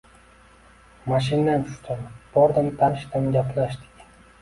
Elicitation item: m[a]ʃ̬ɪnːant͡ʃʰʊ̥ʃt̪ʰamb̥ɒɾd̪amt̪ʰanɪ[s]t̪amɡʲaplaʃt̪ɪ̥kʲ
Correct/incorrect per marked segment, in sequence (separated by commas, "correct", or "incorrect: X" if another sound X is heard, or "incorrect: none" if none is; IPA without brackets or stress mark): correct, incorrect: ʃ